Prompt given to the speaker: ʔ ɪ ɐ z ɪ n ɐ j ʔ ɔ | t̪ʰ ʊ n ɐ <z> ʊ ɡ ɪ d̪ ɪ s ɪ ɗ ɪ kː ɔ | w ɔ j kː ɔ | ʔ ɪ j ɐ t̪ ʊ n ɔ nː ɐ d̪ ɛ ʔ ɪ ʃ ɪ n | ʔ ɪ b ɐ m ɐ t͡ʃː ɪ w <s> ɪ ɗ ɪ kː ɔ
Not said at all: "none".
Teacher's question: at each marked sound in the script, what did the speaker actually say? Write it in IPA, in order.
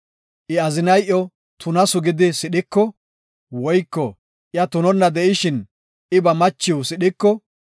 s, s

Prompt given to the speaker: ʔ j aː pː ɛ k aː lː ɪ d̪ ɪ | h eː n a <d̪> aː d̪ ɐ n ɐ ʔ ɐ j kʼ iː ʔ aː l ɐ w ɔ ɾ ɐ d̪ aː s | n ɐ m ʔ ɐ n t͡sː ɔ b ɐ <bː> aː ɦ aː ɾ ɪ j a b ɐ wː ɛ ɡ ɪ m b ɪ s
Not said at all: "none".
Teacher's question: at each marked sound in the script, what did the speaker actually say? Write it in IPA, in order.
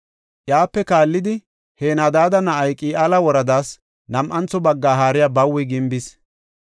d̪, ɡː

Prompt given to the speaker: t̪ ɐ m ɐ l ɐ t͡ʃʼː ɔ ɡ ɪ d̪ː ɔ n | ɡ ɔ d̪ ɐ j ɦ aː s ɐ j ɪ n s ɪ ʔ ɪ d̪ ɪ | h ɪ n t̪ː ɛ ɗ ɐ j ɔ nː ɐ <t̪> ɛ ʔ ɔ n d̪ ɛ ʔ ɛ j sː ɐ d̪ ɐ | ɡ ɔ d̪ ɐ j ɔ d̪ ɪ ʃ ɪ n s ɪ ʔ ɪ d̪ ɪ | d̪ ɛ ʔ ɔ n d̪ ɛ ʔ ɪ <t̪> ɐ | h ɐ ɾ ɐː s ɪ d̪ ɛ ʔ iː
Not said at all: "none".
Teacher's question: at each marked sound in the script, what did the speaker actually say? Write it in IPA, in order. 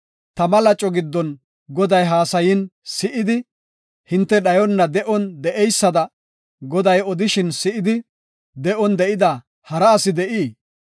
d̪, d̪

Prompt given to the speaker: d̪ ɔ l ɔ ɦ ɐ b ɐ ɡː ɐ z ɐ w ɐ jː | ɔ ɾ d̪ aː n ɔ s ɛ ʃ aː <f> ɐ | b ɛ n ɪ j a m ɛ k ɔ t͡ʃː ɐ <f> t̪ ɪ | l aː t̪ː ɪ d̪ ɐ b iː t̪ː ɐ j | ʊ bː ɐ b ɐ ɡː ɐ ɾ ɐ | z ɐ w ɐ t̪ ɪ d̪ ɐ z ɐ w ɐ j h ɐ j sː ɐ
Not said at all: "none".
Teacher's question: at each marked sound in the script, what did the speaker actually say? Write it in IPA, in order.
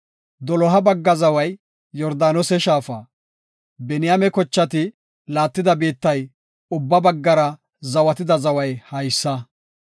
f, none

